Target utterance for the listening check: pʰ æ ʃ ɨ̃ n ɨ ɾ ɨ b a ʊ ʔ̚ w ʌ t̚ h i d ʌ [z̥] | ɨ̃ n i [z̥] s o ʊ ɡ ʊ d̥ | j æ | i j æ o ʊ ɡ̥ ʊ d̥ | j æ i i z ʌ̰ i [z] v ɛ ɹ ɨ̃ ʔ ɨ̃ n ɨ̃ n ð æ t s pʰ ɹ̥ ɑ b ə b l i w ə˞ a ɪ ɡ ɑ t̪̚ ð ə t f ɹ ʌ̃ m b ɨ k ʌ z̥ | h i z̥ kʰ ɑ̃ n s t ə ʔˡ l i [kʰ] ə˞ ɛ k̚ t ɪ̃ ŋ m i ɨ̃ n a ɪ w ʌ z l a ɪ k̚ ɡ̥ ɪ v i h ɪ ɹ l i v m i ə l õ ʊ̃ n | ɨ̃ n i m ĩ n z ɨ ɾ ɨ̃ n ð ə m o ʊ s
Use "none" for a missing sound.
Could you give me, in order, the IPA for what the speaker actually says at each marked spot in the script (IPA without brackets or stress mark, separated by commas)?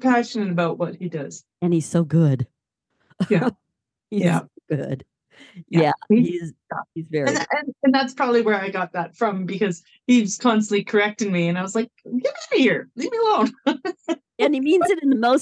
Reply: z̥, z̥, z, kʰ